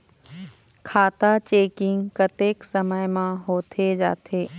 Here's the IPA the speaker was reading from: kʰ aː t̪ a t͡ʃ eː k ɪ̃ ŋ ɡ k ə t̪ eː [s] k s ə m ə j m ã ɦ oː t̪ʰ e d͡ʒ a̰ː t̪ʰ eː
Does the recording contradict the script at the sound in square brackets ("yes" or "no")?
yes